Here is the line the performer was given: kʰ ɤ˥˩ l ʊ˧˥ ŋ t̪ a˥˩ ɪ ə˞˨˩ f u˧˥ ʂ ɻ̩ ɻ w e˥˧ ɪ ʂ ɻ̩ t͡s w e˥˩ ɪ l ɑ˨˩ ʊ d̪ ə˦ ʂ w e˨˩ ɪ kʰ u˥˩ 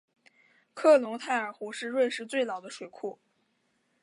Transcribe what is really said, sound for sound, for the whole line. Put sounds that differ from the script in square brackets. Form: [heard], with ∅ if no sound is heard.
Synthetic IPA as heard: kʰ ɤ˥˩ l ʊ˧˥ ŋ [t̪ʰ] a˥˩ ɪ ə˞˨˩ [x] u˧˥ ʂ ɻ̩ ɻ w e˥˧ ɪ ʂ ɻ̩ t͡s w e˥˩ ɪ l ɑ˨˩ ʊ d̪ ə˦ ʂ w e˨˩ ɪ kʰ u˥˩